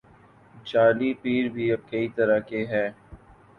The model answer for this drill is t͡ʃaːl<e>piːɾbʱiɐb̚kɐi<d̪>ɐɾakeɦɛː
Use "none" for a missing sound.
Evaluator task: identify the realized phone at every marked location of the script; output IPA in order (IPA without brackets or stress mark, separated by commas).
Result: i, t̪